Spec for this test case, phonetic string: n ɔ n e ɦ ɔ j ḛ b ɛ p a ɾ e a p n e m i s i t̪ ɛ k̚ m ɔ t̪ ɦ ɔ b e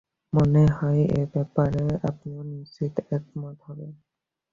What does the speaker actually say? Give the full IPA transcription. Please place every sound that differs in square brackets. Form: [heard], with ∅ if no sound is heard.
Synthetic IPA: [m] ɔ n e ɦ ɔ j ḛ b ɛ p a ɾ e a p n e [n] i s i t̪ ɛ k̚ m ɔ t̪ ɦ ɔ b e